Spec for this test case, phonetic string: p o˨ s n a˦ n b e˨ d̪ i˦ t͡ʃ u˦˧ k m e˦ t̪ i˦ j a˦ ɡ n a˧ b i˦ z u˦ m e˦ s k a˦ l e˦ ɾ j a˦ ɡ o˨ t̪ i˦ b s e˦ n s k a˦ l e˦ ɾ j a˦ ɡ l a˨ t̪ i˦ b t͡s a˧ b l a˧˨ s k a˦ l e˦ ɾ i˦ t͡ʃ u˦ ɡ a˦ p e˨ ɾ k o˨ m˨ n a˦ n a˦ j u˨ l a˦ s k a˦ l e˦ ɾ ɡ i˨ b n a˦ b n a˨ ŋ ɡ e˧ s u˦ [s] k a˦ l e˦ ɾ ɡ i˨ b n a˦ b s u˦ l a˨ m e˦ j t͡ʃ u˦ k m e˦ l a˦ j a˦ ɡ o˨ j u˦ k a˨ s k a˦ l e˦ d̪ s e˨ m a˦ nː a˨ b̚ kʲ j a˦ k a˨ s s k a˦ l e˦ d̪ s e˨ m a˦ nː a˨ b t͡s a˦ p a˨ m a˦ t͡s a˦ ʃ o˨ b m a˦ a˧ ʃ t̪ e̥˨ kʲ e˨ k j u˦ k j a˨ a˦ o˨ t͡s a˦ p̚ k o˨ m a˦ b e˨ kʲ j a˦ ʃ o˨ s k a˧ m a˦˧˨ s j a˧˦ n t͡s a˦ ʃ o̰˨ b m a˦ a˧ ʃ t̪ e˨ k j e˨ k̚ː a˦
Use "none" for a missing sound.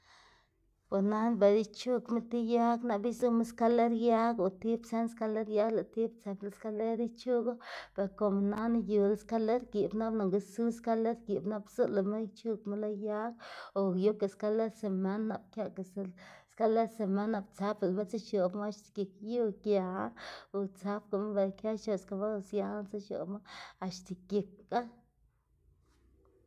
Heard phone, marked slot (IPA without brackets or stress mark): s